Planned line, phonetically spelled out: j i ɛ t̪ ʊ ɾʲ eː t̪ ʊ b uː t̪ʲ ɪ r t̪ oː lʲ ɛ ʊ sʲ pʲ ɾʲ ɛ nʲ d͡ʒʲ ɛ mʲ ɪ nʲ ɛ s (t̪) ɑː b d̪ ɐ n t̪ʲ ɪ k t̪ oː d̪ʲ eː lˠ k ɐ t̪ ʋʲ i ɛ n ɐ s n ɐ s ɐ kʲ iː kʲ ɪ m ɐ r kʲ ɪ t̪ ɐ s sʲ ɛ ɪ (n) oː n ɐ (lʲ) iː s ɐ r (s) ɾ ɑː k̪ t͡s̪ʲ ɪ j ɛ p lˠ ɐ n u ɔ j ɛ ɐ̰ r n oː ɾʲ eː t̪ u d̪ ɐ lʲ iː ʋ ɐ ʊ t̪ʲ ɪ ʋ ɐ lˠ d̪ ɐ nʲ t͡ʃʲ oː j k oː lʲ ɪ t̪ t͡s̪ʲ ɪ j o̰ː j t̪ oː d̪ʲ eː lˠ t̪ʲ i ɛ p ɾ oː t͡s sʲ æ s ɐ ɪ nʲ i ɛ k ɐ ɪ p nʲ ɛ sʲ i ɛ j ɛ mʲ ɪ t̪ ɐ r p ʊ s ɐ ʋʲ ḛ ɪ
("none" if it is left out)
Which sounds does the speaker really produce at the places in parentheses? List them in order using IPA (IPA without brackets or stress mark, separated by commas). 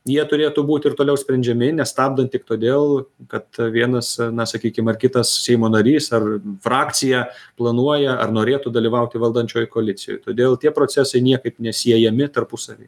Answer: t̪, m, ɾʲ, f